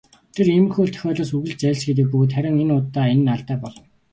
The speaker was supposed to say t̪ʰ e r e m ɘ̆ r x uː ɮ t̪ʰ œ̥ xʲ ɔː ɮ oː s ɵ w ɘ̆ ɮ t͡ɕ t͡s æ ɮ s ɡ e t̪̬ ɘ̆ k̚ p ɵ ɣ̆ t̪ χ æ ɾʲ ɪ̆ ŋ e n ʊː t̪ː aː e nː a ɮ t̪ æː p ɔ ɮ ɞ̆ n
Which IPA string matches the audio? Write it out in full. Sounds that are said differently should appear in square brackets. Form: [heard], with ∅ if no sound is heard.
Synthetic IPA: t̪ʰ e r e m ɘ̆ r x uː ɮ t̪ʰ œ̥ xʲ ɔː ɮ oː s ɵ [ɣ] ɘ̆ ɮ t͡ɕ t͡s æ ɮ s ɡ e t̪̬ ɘ̆ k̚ p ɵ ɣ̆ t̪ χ æ ɾʲ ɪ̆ ŋ e n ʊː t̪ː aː e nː a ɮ t̪ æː p ɔ ɮ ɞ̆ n